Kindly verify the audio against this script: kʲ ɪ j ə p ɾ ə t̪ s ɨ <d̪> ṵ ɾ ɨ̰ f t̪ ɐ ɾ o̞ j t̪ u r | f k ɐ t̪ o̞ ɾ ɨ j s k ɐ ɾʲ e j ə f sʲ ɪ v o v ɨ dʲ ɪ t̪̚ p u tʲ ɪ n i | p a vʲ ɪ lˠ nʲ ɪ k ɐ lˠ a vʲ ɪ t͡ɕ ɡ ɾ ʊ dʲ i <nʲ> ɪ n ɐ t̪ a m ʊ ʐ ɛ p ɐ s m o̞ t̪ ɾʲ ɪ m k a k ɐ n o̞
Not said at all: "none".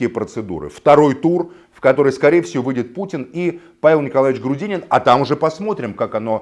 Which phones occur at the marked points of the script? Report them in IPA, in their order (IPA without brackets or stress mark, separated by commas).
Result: d̪, nʲ